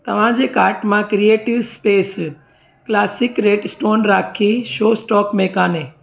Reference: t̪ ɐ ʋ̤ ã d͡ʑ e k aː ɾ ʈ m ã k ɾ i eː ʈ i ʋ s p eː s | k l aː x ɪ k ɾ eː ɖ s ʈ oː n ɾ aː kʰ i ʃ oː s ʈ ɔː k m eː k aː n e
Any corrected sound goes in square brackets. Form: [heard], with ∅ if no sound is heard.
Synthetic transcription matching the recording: t̪ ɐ ʋ̤ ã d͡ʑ e k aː ɾ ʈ m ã k ɾ i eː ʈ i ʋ s p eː s | k l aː [s] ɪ k ɾ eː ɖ s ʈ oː n ɾ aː kʰ i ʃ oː s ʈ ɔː k m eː k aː n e